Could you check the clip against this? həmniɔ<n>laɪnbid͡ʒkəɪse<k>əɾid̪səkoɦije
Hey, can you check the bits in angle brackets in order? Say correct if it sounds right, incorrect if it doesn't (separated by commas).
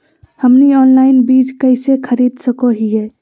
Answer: correct, incorrect